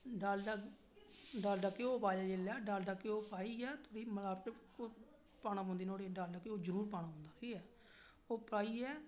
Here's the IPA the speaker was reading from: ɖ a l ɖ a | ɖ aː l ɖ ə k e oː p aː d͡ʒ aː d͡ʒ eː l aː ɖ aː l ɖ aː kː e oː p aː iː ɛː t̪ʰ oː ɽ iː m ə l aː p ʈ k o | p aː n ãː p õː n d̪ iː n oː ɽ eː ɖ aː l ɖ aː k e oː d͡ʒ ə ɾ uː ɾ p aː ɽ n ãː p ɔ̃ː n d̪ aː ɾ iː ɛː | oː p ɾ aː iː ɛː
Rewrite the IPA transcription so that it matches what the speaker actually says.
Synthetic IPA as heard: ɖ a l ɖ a | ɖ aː l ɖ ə k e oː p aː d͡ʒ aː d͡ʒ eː l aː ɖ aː l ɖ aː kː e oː p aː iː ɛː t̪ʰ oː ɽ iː m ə l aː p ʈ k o | p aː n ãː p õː n d̪ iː n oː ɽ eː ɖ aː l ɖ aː k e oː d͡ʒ ə ɾ uː ɾ p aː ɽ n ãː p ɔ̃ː n d̪ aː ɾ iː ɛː | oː p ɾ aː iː ɛː